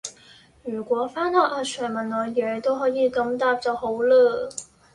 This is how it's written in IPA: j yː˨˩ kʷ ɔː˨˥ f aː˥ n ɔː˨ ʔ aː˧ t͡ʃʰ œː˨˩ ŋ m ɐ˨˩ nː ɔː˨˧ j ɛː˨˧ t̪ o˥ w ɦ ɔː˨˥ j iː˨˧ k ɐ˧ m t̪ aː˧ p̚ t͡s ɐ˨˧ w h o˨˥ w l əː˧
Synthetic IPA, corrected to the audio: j yː˨˩ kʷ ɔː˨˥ f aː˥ n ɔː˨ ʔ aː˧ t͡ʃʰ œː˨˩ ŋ m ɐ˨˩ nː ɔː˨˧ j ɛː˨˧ t̪ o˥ w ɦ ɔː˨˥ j iː˨˧ k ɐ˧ m t̪ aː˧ p̚ t͡s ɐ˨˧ w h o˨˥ w l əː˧